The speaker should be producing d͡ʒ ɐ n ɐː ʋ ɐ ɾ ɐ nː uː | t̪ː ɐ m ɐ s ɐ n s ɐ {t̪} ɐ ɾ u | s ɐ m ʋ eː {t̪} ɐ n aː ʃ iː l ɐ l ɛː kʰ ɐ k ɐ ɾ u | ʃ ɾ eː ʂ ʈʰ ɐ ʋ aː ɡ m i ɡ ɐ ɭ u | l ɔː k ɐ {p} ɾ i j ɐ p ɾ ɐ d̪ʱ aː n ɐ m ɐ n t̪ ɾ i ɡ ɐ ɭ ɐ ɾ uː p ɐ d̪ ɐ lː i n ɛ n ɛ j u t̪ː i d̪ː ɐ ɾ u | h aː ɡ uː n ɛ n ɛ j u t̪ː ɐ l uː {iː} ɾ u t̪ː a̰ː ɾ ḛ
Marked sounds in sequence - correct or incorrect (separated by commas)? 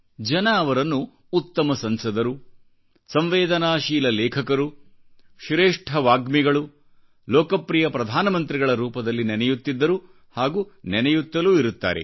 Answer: incorrect, incorrect, correct, incorrect